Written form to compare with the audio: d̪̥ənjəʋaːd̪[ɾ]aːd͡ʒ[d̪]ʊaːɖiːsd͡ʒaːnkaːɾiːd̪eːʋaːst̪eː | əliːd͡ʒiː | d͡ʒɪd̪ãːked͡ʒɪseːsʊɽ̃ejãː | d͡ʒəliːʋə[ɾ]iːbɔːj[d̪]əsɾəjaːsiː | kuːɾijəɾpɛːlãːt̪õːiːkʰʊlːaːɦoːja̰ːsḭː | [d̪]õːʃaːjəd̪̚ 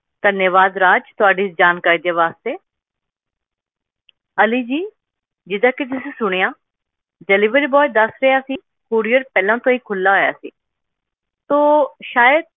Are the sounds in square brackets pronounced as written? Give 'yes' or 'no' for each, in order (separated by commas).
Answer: yes, no, yes, yes, no